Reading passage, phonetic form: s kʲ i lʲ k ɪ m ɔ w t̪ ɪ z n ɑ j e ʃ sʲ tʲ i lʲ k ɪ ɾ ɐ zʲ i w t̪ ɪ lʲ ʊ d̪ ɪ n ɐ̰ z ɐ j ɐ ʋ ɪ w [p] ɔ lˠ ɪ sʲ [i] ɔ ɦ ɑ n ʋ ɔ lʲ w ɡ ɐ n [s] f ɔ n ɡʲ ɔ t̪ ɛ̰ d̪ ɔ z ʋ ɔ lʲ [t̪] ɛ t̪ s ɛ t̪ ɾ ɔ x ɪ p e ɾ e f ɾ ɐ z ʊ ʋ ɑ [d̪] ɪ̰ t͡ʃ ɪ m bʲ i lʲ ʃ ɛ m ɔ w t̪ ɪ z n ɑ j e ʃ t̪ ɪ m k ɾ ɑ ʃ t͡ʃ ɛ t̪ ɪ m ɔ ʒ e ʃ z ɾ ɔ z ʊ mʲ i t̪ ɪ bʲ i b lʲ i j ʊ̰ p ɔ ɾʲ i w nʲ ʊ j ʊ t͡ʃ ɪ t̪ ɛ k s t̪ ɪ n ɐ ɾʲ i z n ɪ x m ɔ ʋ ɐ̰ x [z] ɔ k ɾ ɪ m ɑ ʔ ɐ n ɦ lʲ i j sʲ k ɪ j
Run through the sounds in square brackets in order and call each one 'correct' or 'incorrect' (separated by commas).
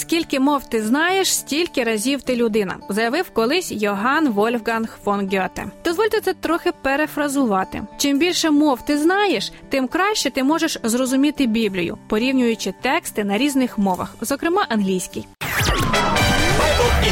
incorrect, incorrect, incorrect, correct, incorrect, correct